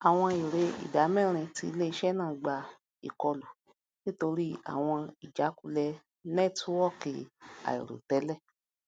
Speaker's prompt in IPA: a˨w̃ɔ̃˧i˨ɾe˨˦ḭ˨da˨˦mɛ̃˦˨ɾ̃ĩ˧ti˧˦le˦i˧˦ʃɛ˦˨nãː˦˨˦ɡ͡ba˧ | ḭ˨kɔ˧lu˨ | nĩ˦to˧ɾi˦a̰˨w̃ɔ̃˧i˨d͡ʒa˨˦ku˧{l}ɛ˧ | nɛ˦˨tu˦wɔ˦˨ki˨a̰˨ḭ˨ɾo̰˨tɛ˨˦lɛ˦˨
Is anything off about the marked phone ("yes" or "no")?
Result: no